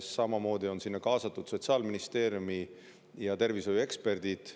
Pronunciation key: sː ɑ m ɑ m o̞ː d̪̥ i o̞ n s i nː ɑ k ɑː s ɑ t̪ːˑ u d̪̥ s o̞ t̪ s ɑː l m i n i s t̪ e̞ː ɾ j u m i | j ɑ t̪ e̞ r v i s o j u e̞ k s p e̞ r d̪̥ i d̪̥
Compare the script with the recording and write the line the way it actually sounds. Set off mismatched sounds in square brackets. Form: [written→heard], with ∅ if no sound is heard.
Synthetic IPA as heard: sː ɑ m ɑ m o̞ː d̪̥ i o̞ n s i nː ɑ k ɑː s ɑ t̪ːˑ u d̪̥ s o̞ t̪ s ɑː l m i n i s t̪ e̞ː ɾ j u m i | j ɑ t̪ e̞ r v i s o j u e̞ k s p e̞ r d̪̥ i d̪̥

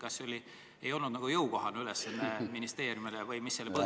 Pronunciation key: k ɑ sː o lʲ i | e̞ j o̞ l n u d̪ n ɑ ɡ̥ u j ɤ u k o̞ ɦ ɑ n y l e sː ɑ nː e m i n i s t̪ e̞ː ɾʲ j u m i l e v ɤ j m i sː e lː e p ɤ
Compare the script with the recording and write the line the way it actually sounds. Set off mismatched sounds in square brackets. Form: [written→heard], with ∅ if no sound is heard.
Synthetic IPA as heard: k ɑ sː o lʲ i | e̞ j o̞ l n u d̪ n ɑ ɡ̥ u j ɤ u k o̞ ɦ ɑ n y l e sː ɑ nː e m i n i s t̪ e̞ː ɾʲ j u m i l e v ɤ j m i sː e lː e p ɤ

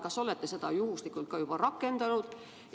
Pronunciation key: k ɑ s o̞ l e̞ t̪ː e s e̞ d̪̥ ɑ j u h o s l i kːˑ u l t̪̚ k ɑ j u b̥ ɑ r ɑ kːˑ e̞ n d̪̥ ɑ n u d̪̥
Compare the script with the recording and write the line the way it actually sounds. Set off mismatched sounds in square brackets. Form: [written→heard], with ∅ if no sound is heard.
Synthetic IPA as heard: k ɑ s o̞ l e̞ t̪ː e s e̞ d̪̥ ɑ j u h [o→u] s l i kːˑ u l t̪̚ k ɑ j u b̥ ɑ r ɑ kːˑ e̞ n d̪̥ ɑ n u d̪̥

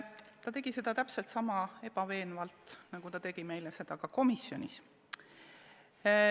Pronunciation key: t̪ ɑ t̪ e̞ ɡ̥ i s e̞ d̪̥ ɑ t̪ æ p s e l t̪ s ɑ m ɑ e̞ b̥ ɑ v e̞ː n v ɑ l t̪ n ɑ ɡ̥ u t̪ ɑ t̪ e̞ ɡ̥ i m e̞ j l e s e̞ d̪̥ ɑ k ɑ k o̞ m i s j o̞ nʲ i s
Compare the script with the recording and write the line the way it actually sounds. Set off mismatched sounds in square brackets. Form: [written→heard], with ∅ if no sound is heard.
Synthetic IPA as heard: t̪ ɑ t̪ e̞ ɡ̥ i s e̞ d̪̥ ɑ t̪ æ p s e l t̪ s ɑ m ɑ e̞ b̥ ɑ v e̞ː n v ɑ l t̪ n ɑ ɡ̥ u t̪ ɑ t̪ e̞ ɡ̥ i m e̞ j l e s e̞ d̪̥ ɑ k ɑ k o̞ m i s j o̞ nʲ i s

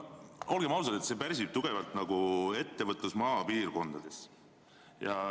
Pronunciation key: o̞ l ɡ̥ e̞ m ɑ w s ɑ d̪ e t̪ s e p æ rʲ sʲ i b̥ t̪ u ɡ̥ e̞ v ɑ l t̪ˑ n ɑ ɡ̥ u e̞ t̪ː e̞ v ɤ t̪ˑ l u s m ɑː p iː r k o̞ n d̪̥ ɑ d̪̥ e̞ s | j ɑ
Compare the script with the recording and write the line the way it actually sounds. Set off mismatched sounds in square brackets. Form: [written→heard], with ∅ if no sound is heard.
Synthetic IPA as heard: o̞ l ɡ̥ e̞ m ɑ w s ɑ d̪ e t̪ s e p æ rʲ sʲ i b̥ t̪ u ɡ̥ e̞ v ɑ l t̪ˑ n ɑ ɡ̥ u e̞ t̪ː e̞ v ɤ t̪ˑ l u s m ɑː p iː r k o̞ n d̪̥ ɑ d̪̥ e̞ s | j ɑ

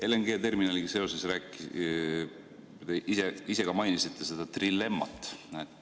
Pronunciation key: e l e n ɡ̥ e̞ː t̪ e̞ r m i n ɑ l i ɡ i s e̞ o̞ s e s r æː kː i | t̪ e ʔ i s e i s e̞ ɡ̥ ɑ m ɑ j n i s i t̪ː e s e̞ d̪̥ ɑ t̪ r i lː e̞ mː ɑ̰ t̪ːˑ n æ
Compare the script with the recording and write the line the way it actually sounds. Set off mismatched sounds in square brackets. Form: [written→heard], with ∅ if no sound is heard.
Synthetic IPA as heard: e l e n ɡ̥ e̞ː t̪ e̞ r m i n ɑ l i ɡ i s e̞ o̞ s e s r æː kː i | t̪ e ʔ i s e i s e̞ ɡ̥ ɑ m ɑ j n i s i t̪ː e s e̞ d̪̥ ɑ t̪ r i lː e̞ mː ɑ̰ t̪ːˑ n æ

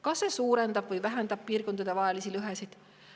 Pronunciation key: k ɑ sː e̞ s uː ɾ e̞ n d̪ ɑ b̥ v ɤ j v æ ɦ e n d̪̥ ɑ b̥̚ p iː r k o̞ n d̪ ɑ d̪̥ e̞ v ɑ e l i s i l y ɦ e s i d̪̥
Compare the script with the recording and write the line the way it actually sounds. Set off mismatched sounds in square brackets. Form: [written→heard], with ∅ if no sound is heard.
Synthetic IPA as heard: k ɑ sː e̞ s uː ɾ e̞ n d̪ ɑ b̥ v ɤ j v æ ɦ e n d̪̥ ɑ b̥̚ p iː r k o̞ n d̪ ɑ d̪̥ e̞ v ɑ e l i s i l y ɦ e s i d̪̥

